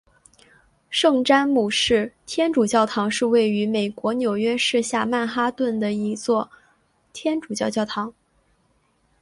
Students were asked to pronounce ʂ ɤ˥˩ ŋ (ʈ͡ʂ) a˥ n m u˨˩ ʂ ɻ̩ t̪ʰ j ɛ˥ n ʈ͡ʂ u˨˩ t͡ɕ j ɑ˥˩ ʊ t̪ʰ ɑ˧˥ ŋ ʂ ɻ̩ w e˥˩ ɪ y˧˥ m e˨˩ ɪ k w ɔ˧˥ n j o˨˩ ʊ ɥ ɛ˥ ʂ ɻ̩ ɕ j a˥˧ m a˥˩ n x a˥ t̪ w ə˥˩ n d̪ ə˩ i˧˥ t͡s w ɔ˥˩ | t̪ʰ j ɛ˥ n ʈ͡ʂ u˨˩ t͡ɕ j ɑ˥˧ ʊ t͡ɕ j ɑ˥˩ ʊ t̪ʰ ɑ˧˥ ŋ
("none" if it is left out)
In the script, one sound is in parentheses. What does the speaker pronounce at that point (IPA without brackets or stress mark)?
ʈ͡ʂ